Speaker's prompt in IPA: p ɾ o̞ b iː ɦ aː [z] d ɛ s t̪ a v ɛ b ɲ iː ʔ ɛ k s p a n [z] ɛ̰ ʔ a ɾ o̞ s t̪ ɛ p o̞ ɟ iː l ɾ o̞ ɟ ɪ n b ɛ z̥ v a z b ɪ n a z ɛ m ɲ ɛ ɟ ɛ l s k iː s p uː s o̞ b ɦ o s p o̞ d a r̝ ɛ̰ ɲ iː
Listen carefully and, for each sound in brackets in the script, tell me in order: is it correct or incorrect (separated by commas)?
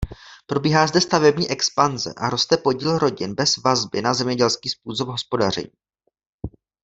correct, correct